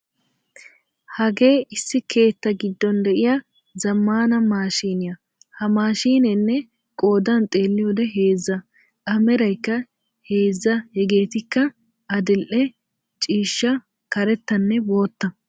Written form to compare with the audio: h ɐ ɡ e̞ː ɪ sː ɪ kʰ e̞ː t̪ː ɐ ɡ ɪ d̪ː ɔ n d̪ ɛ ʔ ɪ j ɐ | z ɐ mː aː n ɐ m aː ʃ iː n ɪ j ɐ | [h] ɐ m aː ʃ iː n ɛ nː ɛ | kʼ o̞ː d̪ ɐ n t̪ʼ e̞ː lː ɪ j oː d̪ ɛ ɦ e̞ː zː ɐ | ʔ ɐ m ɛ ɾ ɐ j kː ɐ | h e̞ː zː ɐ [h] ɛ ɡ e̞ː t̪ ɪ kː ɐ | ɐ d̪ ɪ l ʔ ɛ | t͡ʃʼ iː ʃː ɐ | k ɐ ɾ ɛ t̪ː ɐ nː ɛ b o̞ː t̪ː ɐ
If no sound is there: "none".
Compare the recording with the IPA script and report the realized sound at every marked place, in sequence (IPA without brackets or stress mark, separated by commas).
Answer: h, h